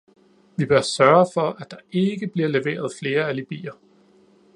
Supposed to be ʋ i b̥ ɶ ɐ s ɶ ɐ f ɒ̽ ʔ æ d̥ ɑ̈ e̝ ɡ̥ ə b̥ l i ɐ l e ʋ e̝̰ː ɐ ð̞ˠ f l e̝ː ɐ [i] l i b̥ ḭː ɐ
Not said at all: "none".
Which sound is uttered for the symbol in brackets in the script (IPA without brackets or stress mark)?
æ